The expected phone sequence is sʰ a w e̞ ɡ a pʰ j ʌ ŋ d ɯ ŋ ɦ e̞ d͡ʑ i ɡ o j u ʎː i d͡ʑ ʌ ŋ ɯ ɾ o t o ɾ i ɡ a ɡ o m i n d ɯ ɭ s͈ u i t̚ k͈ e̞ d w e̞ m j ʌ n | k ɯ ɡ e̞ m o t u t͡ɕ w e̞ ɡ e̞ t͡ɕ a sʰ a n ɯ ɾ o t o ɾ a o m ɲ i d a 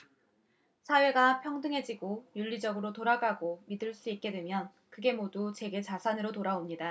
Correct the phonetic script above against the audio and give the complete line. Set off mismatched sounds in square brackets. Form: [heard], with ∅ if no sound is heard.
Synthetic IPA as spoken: sʰ a w e̞ ɡ a pʰ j ʌ ŋ d ɯ ŋ ɦ e̞ d͡ʑ i ɡ o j u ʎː i d͡ʑ ʌ [ɡ] ɯ ɾ o t o ɾ [a] ɡ a ɡ o m i [∅] d ɯ ɭ s͈ u i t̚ k͈ e̞ d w e̞ m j ʌ n | k ɯ ɡ e̞ m o [d] u t͡ɕ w e̞ ɡ e̞ t͡ɕ a sʰ a n ɯ ɾ o t o ɾ a o m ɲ i d a